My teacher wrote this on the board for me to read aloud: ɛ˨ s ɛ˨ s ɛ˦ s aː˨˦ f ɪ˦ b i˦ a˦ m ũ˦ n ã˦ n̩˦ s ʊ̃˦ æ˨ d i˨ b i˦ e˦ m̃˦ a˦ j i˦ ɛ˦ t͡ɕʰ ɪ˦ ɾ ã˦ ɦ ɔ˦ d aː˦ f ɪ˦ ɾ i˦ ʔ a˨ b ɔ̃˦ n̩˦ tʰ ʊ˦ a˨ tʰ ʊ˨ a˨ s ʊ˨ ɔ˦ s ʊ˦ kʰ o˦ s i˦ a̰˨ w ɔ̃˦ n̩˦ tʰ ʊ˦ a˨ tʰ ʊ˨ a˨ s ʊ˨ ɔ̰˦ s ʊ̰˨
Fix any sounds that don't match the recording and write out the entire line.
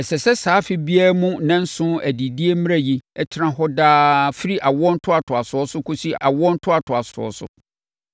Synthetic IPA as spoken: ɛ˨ s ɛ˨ s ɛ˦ s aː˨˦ f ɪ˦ b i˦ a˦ m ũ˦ n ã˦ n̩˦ s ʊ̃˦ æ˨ d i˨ d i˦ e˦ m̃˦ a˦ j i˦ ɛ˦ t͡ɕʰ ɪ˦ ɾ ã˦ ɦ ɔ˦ d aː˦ f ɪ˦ ɾ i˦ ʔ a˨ w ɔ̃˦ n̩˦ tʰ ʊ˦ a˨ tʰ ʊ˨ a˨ s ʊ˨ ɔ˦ s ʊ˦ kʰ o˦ s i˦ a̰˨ w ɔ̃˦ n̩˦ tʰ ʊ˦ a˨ tʰ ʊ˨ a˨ s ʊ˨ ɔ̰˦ s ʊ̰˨